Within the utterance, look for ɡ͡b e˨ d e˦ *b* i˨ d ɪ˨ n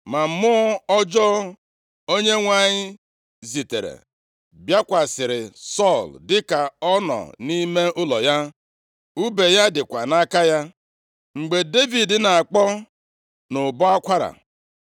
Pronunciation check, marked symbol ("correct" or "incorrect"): incorrect